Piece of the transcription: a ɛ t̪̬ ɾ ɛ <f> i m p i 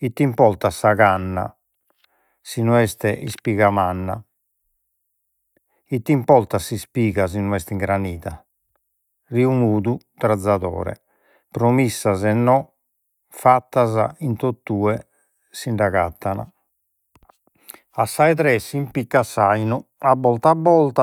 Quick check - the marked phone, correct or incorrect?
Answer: incorrect